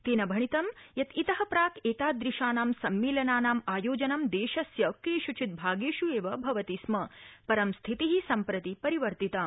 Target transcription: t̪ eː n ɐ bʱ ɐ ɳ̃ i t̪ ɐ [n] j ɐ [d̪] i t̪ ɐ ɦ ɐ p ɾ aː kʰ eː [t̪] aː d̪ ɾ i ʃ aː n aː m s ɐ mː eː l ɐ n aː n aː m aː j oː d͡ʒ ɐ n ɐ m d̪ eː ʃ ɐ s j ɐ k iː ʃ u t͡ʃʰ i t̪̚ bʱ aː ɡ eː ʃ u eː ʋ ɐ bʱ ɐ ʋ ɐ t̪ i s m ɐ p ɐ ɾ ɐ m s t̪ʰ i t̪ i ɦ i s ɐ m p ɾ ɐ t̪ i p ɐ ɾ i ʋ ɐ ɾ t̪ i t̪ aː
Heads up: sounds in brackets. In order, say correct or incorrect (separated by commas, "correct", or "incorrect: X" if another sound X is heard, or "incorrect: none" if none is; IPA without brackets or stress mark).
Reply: incorrect: m, incorrect: t̪, correct